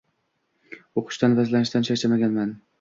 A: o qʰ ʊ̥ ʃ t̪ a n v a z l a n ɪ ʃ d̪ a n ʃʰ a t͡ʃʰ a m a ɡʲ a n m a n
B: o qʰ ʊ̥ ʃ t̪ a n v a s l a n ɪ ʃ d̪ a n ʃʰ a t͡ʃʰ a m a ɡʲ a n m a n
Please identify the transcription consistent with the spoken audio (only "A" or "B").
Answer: A